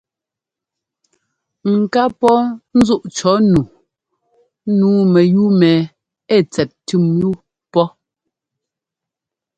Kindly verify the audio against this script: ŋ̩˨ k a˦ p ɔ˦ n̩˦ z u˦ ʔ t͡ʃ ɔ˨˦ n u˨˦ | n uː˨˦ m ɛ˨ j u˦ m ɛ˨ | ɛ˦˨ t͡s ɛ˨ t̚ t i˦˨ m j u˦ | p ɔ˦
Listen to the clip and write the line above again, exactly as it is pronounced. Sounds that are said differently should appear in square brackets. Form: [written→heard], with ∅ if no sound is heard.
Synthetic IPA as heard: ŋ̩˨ k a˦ p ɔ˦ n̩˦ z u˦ ʔ t͡ʃ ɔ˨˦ n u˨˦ | n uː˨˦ m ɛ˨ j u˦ m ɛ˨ | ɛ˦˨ t͡s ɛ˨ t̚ t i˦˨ m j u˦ | p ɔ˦